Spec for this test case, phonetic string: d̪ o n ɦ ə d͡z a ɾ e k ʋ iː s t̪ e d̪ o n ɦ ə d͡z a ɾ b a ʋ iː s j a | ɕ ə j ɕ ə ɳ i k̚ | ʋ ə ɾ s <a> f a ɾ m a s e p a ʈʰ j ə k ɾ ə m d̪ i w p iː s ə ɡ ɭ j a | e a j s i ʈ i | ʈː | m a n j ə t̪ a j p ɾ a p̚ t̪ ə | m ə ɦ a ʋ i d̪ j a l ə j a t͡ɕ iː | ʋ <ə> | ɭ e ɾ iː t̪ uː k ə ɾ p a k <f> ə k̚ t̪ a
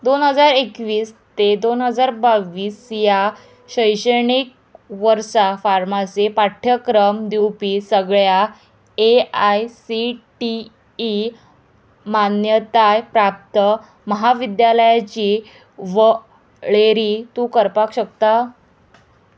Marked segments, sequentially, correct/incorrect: correct, correct, incorrect: ɕ

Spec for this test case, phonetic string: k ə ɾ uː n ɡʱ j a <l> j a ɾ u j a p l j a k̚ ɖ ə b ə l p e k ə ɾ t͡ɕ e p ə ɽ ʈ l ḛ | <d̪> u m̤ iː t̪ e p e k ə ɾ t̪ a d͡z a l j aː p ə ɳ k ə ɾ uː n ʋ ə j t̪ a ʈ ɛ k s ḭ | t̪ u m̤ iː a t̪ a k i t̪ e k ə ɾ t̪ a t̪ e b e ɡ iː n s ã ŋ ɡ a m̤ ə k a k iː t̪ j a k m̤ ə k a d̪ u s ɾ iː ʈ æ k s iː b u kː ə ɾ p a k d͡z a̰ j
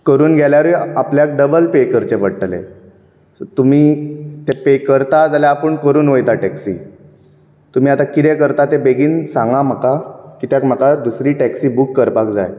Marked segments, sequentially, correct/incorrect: correct, incorrect: t̪

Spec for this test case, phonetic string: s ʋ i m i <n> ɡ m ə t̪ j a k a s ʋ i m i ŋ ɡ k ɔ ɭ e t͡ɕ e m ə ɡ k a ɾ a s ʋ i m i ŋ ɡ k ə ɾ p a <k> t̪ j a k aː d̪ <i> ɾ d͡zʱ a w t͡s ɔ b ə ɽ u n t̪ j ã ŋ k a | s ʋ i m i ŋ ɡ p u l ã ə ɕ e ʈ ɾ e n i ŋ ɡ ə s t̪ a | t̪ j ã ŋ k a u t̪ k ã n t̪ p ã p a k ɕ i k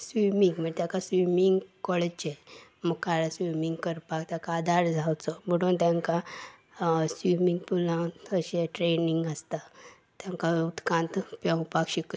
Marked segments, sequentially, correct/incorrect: incorrect: ŋ, correct, incorrect: a

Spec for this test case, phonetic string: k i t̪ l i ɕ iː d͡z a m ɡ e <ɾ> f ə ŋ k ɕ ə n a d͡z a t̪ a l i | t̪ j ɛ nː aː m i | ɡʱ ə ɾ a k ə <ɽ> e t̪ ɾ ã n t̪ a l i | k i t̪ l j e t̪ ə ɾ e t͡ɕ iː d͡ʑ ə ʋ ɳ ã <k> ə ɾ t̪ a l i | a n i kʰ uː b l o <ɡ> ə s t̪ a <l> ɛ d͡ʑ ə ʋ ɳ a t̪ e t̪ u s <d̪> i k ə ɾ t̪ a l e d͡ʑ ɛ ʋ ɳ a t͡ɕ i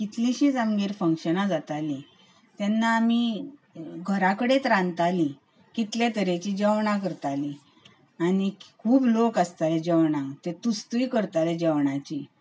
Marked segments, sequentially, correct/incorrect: correct, correct, correct, incorrect: k, correct, incorrect: t̪

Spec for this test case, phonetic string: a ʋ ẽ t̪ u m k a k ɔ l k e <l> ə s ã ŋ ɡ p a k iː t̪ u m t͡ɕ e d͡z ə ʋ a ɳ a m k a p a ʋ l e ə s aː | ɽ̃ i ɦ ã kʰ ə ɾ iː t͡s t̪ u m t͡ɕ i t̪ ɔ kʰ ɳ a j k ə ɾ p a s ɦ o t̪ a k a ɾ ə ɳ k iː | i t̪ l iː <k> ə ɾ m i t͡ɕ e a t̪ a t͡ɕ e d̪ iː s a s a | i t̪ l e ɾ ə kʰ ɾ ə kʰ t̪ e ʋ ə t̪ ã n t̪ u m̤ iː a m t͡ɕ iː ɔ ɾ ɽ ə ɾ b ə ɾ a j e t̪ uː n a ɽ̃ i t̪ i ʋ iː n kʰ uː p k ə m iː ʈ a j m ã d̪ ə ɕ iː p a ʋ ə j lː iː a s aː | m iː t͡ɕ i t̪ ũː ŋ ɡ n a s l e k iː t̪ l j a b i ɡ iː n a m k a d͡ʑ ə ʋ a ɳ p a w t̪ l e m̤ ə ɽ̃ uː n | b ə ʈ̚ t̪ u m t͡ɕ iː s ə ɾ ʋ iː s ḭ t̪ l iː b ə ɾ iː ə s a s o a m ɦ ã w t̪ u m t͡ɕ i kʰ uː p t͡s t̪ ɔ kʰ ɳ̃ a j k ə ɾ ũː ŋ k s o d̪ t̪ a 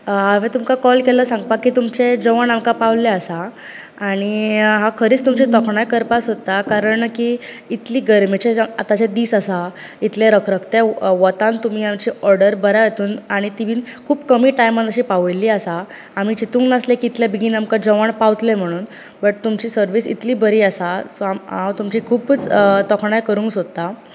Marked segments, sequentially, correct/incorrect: correct, incorrect: ɡ

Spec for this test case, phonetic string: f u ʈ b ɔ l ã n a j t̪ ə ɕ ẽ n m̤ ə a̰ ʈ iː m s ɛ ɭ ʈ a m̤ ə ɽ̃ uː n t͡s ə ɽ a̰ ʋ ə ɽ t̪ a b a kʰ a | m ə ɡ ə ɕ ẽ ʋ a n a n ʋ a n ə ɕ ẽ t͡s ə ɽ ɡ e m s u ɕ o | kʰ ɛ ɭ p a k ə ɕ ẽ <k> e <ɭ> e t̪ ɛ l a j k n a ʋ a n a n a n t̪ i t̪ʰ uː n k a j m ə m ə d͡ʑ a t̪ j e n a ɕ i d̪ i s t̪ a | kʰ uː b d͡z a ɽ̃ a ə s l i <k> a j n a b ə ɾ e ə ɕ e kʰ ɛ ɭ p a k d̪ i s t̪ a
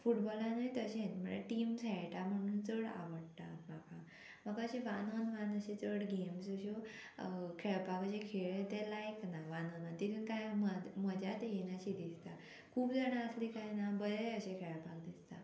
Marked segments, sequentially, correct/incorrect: incorrect: kʰ, correct, correct

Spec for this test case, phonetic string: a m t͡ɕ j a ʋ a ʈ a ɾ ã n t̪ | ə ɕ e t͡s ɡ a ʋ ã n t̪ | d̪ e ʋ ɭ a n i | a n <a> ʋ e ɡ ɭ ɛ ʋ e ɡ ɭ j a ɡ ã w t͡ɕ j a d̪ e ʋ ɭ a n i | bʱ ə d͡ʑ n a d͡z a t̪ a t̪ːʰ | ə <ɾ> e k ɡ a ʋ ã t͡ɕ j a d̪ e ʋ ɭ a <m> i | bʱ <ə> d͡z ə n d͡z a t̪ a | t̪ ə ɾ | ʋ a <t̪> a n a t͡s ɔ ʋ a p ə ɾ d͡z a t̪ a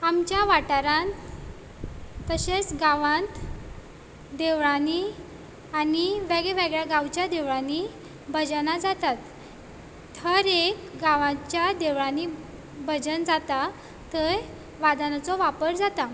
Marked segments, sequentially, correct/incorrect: incorrect: i, correct, incorrect: n, correct, incorrect: d̪

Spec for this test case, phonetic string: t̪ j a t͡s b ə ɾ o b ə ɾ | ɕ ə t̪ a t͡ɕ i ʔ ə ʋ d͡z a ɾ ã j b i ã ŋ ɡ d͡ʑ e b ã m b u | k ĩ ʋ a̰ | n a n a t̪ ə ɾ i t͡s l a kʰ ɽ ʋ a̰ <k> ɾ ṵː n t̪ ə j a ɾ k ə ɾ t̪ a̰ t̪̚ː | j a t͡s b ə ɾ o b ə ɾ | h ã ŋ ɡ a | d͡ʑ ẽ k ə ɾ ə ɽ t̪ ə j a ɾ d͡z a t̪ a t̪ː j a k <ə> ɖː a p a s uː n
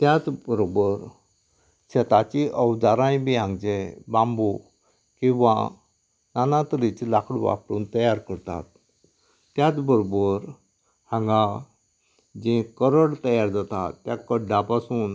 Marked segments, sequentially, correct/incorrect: incorrect: p, correct

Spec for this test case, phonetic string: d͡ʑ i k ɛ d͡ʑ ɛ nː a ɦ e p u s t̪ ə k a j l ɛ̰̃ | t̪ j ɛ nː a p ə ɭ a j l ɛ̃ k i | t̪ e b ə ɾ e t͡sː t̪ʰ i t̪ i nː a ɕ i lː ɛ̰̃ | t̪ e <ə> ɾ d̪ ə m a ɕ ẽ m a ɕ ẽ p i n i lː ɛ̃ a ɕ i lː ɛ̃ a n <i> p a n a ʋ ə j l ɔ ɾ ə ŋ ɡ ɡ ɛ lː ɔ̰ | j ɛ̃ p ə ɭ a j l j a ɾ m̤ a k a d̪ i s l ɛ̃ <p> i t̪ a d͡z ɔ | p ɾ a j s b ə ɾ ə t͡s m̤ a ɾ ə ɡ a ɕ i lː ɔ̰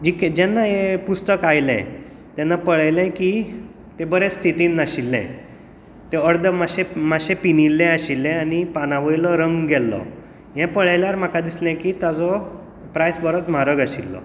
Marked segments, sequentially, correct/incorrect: correct, correct, incorrect: k

